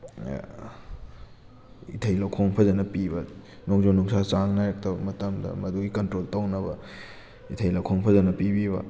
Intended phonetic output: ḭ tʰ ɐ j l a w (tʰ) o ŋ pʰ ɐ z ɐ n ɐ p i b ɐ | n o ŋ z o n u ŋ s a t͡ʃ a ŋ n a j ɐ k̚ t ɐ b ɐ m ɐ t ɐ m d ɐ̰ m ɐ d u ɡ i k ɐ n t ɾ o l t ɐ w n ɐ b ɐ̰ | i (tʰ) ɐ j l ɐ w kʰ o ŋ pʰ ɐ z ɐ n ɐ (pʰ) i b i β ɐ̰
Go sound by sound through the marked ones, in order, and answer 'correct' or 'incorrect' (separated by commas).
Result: incorrect, correct, incorrect